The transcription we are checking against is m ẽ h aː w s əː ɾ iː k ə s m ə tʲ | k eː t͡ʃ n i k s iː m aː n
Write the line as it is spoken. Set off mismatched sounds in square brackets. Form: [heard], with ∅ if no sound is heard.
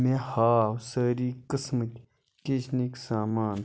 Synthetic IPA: m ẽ h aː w s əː ɾ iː k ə s m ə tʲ | k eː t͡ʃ n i k s [aː] m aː n